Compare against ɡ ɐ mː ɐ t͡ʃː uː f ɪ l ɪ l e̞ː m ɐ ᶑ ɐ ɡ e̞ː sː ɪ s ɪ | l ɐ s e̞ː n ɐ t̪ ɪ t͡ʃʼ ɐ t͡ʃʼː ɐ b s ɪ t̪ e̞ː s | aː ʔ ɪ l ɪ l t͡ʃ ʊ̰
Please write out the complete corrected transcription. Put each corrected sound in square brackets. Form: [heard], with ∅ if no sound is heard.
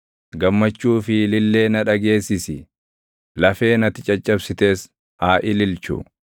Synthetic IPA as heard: ɡ ɐ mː ɐ t͡ʃː uː f ɪ l ɪ [lː] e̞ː [n] ɐ ᶑ ɐ ɡ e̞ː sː ɪ s ɪ | l ɐ [f] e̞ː n ɐ t̪ ɪ t͡ʃʼ ɐ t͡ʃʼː ɐ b s ɪ t̪ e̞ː s | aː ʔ ɪ l ɪ l t͡ʃ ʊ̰